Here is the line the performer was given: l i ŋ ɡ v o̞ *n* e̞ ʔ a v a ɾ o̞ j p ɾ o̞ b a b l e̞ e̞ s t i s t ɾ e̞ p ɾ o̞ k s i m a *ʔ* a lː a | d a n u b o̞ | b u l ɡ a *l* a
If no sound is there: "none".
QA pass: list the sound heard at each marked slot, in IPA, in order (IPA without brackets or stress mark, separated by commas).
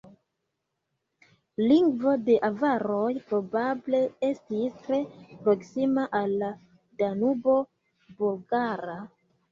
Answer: d, ʔ, ɾ